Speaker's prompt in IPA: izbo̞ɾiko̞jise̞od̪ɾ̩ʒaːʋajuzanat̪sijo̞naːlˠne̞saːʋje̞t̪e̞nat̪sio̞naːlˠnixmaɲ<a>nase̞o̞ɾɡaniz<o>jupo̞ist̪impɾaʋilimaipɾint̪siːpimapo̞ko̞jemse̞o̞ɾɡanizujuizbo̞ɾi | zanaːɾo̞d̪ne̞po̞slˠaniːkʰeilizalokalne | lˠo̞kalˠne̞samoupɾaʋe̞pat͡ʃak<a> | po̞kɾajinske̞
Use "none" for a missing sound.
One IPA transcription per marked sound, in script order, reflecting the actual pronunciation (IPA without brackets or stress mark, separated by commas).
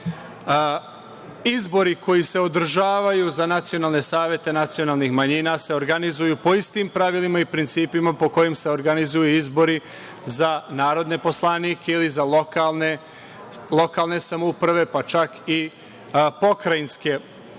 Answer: i, u, i